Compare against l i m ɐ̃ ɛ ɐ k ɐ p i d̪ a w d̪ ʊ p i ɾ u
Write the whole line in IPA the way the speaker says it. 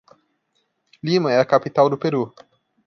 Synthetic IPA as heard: l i m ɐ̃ ɛ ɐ k a p i t̪ a w d̪ ʊ p e ɾ u